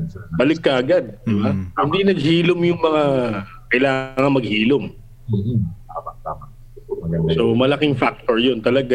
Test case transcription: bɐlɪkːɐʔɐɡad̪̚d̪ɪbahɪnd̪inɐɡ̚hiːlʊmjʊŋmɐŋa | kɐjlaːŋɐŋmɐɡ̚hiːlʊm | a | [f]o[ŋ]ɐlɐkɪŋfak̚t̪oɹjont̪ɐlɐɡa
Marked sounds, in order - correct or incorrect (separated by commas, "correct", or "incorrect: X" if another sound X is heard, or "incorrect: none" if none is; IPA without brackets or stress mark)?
incorrect: s, incorrect: m